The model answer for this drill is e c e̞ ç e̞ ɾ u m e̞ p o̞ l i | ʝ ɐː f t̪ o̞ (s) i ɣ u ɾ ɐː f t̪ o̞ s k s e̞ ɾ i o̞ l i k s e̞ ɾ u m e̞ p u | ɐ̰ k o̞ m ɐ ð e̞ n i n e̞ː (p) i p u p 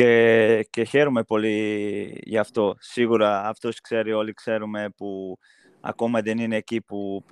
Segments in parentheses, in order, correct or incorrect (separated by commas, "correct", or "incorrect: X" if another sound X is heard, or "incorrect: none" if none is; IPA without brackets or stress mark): correct, incorrect: c